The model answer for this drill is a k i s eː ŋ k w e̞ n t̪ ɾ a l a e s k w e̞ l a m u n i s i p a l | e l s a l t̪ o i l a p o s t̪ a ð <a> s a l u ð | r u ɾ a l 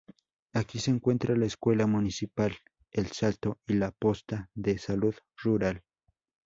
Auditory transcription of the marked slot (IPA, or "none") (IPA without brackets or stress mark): e